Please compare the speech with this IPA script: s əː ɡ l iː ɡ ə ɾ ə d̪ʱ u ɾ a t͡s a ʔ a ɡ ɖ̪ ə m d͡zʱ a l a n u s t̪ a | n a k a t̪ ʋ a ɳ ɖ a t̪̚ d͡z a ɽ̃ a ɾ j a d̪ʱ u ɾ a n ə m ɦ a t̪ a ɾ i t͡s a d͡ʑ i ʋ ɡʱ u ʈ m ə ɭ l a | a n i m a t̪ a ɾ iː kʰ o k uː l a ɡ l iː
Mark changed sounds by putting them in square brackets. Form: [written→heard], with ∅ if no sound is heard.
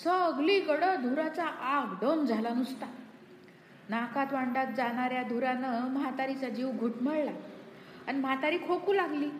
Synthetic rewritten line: s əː ɡ l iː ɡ ə [ɾ→ɽ] ə d̪ʱ u ɾ a t͡s a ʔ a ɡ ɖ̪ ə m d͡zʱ a l a n u s t̪ a | n a k a t̪ ʋ a ɳ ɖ a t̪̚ d͡z a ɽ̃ a ɾ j a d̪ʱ u ɾ a n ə m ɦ a t̪ a ɾ i t͡s a d͡ʑ i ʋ ɡʱ u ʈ m ə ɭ l a | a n i m a t̪ a ɾ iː kʰ o k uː l a ɡ l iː